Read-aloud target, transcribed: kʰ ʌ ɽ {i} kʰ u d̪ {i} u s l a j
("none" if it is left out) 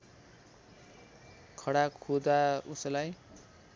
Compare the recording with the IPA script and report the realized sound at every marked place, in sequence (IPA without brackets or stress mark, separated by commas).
a, a